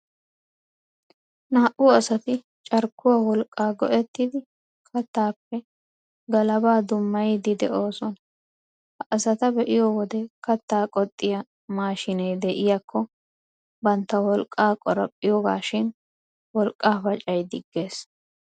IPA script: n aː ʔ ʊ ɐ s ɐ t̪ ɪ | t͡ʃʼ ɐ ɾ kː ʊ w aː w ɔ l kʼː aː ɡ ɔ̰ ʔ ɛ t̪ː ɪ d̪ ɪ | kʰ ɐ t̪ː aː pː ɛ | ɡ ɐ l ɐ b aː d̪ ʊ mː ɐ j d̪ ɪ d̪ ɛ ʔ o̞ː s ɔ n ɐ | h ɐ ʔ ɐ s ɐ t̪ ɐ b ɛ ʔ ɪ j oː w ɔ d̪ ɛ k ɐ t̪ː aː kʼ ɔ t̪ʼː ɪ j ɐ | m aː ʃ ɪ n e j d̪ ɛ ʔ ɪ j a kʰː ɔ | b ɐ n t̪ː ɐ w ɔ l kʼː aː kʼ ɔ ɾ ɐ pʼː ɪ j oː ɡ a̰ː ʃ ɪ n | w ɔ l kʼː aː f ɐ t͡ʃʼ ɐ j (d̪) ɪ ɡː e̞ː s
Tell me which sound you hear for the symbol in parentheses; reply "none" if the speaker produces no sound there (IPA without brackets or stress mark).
d̪